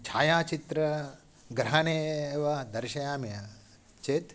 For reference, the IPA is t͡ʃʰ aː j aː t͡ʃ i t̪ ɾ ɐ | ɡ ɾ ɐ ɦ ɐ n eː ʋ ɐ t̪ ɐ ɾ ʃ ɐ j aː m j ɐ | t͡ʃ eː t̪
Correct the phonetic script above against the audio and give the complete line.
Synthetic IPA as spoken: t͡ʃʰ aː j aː t͡ʃ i t̪ ɾ ɐ | ɡ ɾ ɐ ɦ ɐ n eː ʋ ɐ d̪ ɐ ɾ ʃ ɐ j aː m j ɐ | t͡ʃ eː t̪